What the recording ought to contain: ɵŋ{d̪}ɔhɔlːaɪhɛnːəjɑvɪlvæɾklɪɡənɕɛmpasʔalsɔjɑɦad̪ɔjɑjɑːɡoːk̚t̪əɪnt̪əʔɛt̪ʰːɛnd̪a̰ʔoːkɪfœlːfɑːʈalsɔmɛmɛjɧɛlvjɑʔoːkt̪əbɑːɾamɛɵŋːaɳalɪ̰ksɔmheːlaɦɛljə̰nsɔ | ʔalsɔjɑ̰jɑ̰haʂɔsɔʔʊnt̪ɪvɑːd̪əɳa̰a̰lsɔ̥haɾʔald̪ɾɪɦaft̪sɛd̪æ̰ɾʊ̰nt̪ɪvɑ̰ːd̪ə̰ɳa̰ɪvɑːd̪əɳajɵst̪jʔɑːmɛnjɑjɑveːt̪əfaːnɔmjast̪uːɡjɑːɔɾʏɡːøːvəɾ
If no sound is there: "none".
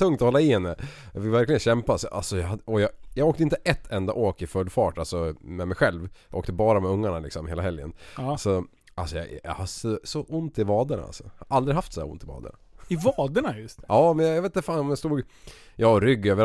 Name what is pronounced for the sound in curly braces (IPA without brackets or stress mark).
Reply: t̪